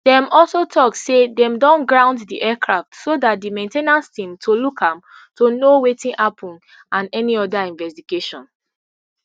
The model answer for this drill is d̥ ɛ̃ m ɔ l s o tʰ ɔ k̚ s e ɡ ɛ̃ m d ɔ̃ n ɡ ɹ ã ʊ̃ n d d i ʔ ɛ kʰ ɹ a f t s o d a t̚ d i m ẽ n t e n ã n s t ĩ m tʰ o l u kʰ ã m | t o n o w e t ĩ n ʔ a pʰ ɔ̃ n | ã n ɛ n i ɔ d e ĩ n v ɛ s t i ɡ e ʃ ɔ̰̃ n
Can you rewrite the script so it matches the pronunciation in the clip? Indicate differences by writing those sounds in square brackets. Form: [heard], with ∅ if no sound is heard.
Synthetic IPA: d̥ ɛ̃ m ɔ l s o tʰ ɔ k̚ s e [d] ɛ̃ m d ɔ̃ n ɡ ɹ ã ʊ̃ n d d i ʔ ɛ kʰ ɹ a f t s o d a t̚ d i m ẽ n t e n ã n s t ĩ m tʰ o l u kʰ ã m | t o n o w e t ĩ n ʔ a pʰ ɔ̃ n | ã n ɛ n i ɔ d [a] ĩ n v ɛ s t i ɡ e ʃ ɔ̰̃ n

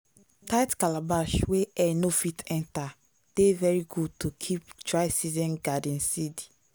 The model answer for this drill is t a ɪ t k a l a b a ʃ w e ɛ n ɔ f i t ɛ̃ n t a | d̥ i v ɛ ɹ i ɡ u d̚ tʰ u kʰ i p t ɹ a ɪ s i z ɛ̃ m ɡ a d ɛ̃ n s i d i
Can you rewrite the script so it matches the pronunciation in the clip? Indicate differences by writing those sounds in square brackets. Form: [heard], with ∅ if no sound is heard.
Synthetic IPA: t a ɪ t k a l a b a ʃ w e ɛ n [o] f i t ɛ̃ n t a | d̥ [e] v ɛ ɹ i ɡ u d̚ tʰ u kʰ i p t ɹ a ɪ s i z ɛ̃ [n] ɡ a d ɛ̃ n s i d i

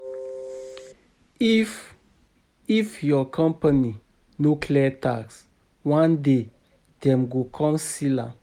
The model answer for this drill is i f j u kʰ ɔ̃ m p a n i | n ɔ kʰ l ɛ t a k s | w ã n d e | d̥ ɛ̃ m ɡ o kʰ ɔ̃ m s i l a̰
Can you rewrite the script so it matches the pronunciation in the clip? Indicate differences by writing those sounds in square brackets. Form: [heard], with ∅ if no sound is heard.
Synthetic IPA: i f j [ɔ] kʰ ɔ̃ m p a n i | n [o] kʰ l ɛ t a k s | w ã n d e | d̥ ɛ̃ m ɡ o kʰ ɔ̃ m s i l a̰

